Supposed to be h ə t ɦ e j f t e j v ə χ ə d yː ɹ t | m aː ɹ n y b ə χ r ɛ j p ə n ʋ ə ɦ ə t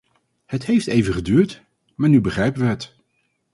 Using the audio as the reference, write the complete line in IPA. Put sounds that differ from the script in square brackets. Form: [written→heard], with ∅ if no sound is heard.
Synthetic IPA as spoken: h ə t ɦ e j f t e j v ə χ ə d yː ɹ t | m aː ɹ n y b ə χ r ɛ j p ə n ʋ ə ɦ ə t